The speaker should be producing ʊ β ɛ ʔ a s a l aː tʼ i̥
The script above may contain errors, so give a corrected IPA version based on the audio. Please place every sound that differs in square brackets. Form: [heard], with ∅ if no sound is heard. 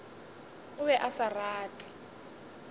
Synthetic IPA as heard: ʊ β ɛ ʔ a s a [r] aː tʼ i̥